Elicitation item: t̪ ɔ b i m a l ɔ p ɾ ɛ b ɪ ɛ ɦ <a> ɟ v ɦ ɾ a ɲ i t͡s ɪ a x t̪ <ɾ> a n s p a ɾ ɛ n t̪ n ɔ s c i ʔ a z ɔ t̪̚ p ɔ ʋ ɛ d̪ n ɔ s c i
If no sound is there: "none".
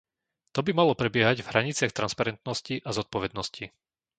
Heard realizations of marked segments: a, ɾ

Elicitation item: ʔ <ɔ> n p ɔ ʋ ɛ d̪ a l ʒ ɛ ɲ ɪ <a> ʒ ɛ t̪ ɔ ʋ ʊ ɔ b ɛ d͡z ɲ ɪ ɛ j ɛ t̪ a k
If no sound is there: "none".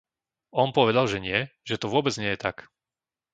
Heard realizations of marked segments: ɔ, ɛ

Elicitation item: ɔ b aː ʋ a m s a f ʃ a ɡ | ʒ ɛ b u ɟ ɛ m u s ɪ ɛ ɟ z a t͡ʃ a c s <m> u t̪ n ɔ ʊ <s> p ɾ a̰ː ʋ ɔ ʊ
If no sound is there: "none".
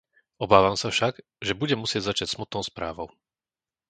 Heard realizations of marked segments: m, s

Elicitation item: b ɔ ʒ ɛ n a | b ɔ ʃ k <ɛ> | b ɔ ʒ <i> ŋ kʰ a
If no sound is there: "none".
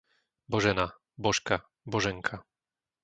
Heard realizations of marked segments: a, ɛ

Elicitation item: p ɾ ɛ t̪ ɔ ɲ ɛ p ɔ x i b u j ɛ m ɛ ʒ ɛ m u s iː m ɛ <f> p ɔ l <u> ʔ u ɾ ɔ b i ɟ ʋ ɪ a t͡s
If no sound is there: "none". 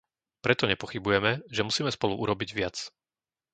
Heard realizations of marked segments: s, u

